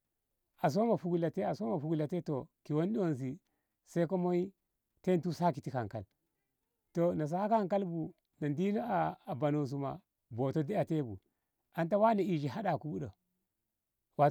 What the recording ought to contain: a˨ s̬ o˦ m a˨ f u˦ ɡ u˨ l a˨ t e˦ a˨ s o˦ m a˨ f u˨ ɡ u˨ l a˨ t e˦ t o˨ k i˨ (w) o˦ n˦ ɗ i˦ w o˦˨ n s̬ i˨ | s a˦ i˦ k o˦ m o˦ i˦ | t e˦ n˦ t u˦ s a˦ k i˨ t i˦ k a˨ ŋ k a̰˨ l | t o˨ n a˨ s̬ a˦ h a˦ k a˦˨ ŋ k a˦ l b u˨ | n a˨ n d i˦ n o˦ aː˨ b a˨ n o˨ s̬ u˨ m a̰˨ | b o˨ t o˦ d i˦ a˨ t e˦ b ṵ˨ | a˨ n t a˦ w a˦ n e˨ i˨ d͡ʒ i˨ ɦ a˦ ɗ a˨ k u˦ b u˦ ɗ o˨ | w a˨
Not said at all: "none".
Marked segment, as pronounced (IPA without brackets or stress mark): w